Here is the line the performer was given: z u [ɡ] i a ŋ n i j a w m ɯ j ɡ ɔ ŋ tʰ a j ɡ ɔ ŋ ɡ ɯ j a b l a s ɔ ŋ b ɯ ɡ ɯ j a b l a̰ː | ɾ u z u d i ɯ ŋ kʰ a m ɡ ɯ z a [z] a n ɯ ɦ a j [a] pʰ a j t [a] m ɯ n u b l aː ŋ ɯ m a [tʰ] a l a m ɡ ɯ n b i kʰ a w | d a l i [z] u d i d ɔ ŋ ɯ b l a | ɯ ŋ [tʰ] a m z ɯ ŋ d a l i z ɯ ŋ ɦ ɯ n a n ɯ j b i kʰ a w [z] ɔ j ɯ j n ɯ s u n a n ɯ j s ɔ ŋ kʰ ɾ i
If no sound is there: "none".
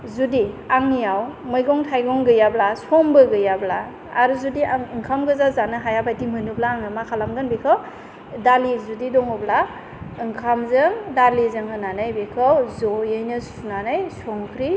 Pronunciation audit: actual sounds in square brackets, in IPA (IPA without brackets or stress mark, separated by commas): d, z, a, i, kʰ, z, kʰ, z